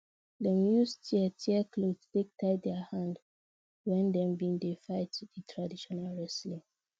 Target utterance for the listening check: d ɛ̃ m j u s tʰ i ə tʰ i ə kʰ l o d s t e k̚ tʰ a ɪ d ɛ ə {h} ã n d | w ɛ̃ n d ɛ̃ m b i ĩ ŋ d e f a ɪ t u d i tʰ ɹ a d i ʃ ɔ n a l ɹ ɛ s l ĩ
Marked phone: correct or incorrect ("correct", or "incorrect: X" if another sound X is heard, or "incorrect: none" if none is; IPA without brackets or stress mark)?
correct